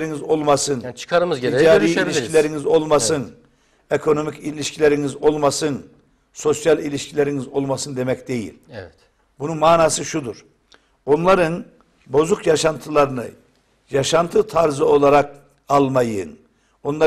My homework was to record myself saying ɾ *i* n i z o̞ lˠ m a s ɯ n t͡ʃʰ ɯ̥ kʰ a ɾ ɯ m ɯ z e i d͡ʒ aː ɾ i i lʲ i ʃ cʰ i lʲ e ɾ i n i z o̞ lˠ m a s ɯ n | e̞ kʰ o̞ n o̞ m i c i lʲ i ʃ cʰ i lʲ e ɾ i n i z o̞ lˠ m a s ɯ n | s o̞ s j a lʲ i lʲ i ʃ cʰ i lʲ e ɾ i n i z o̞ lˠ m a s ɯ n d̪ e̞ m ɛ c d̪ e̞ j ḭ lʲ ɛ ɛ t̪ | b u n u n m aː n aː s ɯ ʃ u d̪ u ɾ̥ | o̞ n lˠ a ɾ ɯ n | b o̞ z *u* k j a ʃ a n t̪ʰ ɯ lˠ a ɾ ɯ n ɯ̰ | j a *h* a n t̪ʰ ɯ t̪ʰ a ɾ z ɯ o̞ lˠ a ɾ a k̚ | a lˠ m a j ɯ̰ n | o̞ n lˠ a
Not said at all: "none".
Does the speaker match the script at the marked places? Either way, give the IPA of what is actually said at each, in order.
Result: i, u, ʃ

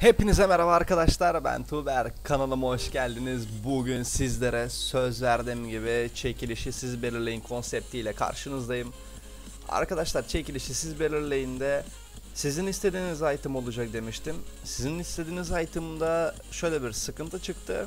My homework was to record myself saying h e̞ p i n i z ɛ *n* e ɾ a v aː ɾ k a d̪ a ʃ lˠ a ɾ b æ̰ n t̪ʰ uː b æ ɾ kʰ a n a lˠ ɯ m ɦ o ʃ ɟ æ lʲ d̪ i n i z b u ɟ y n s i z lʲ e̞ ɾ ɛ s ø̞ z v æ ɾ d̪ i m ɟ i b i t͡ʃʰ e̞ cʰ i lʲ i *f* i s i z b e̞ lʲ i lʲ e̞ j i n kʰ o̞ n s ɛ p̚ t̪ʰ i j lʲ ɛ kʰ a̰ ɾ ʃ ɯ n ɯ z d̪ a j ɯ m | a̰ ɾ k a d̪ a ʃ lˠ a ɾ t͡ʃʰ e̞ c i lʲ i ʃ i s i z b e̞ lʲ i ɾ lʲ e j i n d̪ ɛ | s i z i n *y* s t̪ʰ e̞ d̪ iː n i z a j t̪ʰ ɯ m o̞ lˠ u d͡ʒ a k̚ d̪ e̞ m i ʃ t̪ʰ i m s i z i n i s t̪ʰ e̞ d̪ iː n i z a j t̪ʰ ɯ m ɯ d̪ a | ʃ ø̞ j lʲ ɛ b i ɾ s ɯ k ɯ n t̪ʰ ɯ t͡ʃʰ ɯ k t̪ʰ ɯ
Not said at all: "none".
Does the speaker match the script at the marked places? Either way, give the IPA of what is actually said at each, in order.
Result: m, ʃ, i

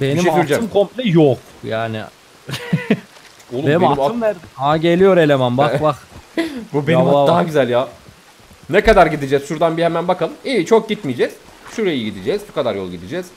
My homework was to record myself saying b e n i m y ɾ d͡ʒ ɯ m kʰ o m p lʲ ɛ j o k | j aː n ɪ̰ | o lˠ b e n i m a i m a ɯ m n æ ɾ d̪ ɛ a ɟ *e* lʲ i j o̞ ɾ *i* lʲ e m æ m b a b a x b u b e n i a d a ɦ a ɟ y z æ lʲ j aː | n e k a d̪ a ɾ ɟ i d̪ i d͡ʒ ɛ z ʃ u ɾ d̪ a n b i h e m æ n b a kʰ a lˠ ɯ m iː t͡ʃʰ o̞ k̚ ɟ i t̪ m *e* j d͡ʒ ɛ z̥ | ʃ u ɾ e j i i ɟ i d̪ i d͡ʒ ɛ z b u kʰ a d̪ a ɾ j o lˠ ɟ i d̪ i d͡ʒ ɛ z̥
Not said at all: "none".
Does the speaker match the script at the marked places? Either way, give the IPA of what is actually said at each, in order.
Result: e, e, i

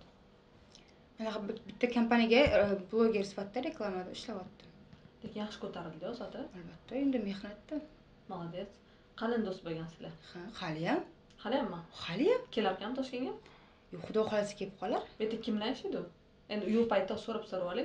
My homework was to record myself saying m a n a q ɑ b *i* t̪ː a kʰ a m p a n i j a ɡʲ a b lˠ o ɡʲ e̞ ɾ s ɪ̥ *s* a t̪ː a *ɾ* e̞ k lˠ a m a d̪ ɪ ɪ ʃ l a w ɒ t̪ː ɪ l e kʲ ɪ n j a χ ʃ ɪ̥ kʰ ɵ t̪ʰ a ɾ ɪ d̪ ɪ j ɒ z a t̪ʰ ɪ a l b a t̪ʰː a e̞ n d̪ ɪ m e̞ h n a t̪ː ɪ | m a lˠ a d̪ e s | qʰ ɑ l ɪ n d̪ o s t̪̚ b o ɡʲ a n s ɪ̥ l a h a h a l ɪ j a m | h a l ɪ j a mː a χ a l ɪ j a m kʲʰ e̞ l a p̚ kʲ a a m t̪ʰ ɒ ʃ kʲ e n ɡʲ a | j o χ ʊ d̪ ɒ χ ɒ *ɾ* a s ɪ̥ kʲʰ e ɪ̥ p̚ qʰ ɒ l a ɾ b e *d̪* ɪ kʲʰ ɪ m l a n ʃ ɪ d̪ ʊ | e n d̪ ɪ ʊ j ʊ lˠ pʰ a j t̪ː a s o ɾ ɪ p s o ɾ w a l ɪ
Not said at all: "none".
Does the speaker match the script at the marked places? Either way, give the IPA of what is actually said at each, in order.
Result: ɪ, f, ɾ, l, t̪

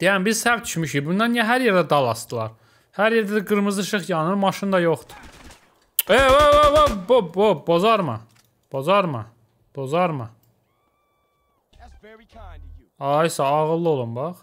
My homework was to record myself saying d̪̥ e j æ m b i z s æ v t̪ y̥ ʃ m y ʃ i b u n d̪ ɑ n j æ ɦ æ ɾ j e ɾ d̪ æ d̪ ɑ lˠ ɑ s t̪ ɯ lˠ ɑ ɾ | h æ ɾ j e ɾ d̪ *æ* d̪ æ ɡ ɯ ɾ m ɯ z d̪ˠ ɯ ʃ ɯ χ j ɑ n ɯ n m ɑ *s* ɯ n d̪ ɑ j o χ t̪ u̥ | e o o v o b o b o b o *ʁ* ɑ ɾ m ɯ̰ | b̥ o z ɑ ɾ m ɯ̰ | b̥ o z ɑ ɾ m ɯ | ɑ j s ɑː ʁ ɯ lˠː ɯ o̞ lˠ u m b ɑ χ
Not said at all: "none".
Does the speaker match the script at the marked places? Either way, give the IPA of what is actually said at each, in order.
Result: æ, ʃ, z

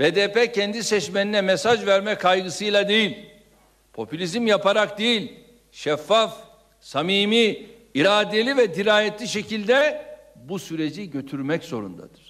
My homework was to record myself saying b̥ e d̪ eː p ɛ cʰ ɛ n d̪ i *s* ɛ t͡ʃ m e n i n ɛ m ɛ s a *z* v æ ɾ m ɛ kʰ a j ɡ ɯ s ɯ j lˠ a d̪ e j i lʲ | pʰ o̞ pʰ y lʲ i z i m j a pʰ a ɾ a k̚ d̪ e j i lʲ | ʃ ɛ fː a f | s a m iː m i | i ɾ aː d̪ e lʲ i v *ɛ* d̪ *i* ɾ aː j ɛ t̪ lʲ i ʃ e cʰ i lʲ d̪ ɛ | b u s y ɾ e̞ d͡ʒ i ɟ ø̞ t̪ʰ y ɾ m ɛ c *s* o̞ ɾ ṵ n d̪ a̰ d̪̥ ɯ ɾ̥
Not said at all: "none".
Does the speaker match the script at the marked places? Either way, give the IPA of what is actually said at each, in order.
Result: s, ʒ, ɛ, i, z

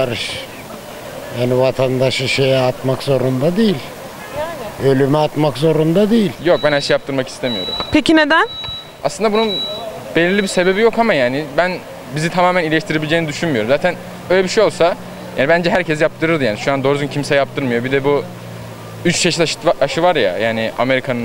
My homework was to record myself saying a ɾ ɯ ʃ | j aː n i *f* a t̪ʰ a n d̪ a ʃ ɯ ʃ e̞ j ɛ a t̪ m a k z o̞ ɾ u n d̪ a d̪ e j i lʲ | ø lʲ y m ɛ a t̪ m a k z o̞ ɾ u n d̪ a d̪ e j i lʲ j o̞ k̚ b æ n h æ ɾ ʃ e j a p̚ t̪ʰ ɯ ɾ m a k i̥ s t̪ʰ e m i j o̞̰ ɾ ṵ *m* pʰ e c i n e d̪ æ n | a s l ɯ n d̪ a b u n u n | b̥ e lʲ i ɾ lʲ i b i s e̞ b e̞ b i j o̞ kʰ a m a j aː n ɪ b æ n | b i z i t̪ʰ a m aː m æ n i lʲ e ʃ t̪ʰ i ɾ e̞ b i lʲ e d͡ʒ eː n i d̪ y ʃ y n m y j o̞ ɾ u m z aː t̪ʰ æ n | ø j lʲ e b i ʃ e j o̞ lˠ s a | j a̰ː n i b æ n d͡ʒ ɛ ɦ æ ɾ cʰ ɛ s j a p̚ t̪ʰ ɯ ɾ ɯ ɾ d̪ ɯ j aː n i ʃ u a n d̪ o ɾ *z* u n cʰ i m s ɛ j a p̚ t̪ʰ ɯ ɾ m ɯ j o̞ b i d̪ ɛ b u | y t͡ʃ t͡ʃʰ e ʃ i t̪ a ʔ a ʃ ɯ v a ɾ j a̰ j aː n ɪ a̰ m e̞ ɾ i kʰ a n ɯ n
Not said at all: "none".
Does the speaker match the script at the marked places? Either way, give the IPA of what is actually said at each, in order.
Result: v, m, z

